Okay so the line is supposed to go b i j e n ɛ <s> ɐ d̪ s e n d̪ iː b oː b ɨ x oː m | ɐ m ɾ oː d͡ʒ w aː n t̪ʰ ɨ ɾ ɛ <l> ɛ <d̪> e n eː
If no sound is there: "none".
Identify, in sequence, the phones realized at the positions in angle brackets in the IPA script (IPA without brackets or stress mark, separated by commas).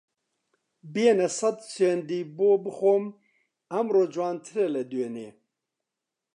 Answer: s, l, d̪